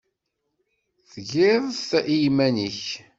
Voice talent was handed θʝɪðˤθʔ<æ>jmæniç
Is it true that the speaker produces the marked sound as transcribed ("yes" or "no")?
no